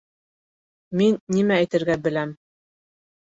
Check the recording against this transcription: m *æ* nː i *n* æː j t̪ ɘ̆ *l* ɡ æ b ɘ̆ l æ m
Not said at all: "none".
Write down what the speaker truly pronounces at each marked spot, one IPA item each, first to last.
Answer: i, m, ɾ

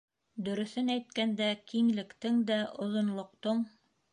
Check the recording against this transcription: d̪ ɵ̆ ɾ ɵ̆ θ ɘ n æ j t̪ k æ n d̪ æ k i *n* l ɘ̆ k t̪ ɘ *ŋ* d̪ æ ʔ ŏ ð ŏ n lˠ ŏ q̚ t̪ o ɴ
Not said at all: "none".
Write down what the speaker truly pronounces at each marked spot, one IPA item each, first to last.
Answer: ŋ, ŋ

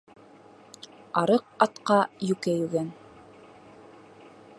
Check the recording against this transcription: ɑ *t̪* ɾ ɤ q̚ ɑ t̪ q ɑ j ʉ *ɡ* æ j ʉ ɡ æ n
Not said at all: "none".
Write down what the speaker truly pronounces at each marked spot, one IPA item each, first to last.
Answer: none, k

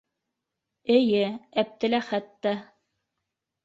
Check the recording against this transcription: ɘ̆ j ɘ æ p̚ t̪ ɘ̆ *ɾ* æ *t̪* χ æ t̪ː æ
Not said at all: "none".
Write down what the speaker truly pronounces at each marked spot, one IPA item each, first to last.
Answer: l, none

